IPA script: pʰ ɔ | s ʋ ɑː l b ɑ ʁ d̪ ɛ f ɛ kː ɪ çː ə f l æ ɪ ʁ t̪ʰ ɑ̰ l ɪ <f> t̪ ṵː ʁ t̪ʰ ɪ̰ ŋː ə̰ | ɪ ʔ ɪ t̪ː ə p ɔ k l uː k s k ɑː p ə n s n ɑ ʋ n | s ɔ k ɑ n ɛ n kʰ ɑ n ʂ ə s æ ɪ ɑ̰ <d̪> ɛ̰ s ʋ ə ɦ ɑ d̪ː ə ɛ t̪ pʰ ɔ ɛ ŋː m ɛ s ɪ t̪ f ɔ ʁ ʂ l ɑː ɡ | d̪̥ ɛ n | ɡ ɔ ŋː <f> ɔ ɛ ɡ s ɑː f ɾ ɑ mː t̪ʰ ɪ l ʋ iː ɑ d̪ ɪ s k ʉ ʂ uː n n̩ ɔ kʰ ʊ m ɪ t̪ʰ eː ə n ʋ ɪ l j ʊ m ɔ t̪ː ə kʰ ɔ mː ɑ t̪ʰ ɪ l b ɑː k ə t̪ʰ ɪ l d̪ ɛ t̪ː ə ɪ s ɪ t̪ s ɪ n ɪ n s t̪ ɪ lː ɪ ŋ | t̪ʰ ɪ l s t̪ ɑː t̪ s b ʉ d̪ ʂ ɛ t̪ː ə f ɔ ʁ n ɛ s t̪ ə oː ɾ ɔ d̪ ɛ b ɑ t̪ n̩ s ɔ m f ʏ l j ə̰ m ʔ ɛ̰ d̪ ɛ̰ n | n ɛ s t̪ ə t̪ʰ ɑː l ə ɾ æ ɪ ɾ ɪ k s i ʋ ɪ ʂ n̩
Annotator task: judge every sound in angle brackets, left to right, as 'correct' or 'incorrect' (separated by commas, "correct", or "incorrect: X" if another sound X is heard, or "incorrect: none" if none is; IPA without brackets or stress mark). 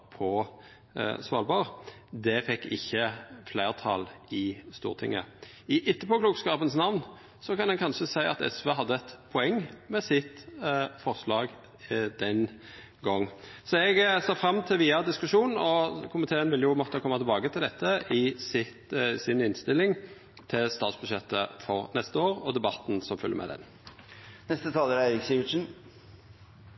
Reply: incorrect: s, incorrect: t̪, incorrect: s